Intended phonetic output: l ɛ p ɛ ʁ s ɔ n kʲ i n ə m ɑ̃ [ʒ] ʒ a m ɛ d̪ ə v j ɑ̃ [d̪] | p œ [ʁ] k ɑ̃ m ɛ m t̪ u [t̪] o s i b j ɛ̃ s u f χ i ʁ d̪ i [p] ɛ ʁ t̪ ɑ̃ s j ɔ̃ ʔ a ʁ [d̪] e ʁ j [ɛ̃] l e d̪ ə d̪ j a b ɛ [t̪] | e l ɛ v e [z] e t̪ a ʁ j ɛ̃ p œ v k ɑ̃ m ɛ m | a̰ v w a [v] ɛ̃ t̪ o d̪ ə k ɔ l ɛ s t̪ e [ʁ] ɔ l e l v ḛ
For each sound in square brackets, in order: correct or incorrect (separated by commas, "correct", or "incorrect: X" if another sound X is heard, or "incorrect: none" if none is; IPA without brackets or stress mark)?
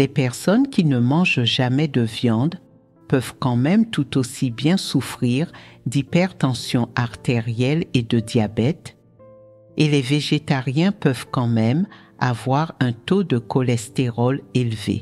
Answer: correct, correct, incorrect: v, correct, correct, incorrect: t̪, incorrect: ɛ, correct, incorrect: ʒ, incorrect: ʁ, correct